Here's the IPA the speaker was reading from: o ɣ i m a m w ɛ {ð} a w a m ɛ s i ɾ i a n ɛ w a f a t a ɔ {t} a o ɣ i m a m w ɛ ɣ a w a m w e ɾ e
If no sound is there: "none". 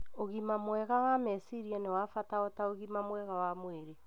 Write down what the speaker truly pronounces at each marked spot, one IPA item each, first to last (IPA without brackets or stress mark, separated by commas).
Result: ɣ, t